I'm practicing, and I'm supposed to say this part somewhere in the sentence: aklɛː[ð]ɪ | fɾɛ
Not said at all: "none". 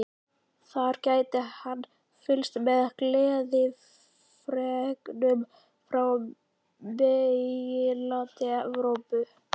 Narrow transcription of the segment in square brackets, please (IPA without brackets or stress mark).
ð